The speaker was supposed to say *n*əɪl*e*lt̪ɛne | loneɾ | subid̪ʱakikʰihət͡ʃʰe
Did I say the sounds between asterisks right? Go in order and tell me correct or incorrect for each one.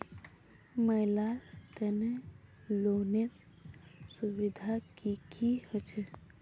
incorrect, incorrect

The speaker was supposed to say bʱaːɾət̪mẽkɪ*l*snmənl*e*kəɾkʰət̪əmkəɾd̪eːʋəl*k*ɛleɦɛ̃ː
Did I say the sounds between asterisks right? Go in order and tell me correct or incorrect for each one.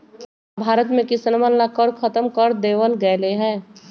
incorrect, incorrect, incorrect

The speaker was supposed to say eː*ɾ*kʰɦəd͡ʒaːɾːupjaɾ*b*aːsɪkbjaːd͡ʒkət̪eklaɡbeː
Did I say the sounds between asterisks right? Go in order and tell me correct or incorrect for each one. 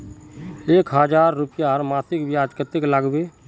incorrect, incorrect

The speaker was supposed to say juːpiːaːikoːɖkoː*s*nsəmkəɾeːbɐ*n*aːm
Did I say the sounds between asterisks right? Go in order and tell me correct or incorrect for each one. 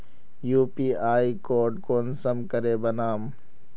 incorrect, correct

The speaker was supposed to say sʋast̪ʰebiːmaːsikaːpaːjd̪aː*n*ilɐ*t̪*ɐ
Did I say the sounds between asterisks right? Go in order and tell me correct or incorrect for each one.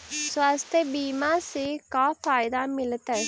incorrect, correct

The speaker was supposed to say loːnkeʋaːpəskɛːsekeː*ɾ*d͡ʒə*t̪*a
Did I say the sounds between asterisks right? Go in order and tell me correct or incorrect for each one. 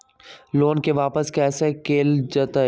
incorrect, correct

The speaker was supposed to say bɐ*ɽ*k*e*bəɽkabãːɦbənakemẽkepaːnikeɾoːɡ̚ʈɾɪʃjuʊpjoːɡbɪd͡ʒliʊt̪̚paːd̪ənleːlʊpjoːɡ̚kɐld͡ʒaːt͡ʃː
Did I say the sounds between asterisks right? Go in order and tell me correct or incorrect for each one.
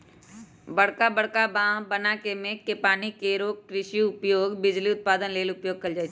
correct, incorrect

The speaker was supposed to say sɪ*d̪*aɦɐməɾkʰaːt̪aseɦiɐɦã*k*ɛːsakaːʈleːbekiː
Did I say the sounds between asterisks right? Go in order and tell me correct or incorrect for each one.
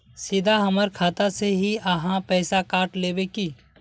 correct, incorrect

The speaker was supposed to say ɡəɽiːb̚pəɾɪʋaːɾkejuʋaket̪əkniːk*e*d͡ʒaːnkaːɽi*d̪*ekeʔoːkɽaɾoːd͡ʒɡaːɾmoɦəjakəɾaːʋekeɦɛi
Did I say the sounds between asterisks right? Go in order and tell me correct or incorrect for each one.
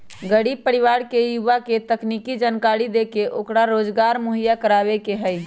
incorrect, correct

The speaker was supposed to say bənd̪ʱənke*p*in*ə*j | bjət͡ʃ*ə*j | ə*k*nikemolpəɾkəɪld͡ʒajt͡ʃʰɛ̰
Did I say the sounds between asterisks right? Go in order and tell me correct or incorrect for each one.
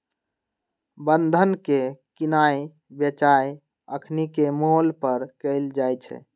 incorrect, incorrect, incorrect, incorrect

